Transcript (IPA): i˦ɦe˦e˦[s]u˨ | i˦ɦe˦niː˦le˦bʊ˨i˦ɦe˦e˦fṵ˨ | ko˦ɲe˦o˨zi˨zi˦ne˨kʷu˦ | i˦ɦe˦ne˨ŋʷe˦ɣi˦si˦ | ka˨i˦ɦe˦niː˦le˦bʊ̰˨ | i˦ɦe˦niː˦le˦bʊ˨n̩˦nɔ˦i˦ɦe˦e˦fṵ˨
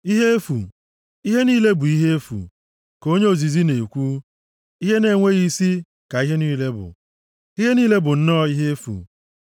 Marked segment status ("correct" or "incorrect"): incorrect